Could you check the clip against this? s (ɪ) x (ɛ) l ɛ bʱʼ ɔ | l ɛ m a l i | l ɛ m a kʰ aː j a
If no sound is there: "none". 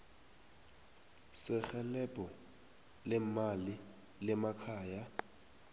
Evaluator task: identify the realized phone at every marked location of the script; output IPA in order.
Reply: ɪ, ɛ

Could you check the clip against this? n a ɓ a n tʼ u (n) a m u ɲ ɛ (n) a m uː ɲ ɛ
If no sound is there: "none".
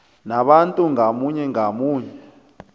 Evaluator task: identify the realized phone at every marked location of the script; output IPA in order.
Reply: ŋ, ŋ

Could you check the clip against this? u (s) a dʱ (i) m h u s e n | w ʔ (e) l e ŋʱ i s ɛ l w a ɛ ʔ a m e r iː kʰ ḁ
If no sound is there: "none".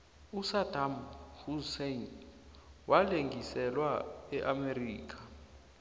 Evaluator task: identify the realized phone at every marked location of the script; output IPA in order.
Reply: s, a, a

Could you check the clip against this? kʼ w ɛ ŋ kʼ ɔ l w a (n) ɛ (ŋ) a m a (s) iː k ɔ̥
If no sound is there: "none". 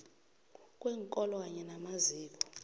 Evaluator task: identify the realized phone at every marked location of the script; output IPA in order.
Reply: ɲ, n, z

